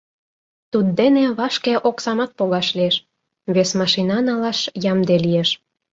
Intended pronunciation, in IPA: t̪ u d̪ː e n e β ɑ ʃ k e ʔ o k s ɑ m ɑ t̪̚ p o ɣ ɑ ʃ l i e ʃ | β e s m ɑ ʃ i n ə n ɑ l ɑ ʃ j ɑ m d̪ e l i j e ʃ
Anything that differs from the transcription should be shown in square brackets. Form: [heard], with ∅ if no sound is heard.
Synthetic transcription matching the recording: t̪ u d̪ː e n e β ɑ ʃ k e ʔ o k s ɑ m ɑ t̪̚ p o ɣ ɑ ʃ l i e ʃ | β e s m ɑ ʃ i n [ɑ] n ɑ l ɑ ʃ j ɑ m d̪ e l i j e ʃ